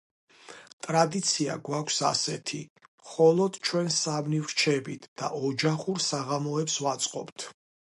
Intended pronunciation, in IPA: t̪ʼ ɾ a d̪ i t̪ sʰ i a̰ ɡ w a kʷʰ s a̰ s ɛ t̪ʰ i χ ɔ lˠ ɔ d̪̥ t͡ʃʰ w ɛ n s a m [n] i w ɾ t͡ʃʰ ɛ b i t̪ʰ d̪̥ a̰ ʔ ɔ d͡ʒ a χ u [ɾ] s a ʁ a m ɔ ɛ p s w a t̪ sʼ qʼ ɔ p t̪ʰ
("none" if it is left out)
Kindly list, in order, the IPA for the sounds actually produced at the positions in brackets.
n, ɾ

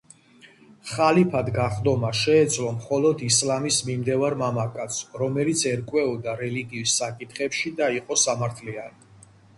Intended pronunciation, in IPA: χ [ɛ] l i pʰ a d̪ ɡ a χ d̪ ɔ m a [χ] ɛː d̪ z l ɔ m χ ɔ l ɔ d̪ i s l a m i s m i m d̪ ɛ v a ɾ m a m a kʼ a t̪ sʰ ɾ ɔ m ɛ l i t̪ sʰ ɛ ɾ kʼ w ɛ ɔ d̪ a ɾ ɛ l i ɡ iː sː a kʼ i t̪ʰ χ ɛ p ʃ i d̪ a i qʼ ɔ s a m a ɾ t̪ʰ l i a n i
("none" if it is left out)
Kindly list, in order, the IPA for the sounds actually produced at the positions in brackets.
a, ʃ

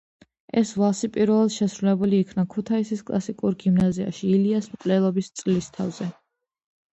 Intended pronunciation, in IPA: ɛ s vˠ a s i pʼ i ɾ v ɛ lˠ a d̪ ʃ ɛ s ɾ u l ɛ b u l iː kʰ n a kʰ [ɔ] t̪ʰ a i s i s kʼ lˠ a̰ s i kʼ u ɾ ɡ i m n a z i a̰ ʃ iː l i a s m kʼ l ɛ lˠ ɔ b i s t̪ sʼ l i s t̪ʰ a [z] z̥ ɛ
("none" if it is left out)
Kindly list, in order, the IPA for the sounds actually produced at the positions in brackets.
u, v

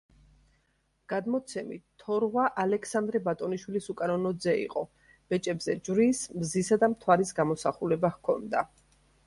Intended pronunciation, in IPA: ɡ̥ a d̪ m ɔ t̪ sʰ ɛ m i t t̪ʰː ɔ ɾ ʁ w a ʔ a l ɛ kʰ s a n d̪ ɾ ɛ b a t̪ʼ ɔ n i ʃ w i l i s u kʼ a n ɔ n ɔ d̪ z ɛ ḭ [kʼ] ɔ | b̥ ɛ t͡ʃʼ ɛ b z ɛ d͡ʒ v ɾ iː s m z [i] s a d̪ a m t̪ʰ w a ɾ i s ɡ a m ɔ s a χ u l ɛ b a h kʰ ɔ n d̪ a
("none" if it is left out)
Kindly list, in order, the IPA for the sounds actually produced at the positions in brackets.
qʼ, i

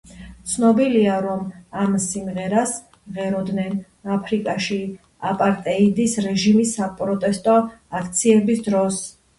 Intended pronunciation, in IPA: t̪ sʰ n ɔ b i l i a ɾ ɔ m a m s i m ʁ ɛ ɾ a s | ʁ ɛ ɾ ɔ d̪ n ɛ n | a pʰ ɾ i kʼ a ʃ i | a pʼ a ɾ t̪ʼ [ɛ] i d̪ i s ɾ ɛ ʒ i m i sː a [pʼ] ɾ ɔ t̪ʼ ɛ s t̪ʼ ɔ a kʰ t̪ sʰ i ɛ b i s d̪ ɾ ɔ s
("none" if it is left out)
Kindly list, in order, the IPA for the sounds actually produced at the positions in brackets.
ɛ, pʼ

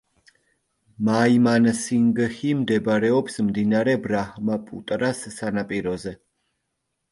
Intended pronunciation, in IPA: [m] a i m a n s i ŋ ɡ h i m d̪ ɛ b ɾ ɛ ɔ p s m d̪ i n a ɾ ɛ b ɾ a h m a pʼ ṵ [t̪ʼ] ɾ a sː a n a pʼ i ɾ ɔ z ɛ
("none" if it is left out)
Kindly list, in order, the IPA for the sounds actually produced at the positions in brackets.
m, t̪ʼ

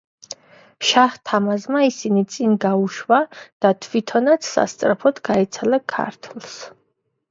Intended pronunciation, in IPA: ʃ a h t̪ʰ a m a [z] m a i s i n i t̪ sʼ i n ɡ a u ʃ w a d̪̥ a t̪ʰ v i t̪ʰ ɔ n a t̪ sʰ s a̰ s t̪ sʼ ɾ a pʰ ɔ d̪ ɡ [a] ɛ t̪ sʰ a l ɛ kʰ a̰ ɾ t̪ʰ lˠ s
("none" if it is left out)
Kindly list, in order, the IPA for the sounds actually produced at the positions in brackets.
z, a

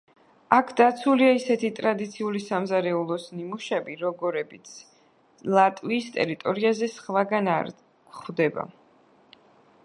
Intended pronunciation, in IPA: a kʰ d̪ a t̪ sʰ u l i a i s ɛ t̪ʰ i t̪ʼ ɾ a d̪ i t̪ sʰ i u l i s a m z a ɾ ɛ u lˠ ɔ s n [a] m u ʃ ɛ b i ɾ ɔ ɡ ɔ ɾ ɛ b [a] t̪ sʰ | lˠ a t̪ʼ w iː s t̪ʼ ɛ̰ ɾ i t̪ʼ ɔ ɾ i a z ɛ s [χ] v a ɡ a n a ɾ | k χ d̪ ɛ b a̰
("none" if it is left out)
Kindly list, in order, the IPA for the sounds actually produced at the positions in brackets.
i, i, χ

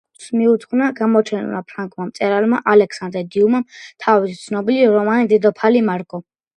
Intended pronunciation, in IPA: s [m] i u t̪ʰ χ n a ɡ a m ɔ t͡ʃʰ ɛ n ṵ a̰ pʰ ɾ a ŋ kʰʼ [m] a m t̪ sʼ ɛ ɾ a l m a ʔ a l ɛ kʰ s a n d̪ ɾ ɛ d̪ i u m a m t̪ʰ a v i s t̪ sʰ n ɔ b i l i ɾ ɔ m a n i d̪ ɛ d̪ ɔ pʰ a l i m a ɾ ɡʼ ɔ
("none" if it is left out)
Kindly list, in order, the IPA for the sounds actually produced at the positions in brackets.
m, m

